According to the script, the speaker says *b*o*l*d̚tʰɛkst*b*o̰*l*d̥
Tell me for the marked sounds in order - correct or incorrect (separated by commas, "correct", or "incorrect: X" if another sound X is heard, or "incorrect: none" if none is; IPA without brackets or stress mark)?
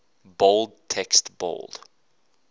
correct, correct, correct, correct